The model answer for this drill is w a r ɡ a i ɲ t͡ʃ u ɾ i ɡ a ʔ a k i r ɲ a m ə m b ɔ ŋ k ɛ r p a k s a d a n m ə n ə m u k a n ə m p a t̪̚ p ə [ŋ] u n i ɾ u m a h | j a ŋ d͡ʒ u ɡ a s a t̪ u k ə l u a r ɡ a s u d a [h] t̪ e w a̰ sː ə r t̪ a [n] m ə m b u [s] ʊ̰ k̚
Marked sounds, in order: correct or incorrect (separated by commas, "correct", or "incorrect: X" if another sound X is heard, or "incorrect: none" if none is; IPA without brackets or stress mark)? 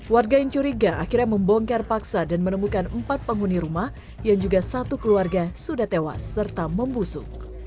correct, correct, incorrect: none, correct